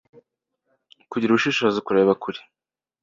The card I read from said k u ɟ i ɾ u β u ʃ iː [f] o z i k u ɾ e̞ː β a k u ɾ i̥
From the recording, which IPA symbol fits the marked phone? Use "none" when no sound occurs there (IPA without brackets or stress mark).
ʃ